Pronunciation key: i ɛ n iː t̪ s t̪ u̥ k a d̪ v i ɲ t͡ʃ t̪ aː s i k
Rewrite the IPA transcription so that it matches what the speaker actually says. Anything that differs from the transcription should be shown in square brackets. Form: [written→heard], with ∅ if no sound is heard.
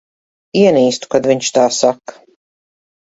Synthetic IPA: i ɛ n iː [t̪→∅] s t̪ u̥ k a d̪ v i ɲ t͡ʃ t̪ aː s [i→a] k